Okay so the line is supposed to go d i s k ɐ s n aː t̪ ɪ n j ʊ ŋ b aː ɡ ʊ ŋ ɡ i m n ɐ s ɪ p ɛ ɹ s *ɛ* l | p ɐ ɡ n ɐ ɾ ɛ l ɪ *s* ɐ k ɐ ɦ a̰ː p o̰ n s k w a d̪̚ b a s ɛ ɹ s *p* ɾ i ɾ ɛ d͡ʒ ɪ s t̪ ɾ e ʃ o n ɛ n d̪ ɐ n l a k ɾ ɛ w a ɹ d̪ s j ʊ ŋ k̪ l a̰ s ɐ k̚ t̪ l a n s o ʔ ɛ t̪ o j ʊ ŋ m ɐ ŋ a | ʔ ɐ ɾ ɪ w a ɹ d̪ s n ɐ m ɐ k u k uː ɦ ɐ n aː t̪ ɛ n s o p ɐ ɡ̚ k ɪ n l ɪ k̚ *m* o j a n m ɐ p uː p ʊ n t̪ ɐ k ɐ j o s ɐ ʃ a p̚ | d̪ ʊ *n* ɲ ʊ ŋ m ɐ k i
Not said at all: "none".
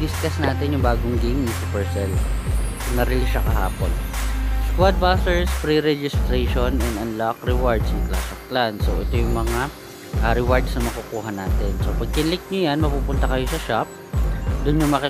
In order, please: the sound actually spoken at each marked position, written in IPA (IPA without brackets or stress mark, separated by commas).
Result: ɛ, ʃ, p, ɲ, n